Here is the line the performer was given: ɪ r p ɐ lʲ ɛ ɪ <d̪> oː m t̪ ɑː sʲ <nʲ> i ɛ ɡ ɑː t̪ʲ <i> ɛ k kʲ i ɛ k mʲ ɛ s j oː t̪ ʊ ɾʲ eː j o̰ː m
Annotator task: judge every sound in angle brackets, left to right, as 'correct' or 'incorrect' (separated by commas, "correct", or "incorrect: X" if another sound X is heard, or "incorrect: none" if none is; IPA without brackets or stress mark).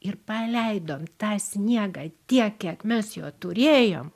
correct, correct, correct